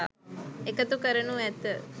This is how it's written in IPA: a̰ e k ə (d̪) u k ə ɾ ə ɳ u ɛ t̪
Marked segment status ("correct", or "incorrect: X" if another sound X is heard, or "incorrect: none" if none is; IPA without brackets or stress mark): incorrect: t̪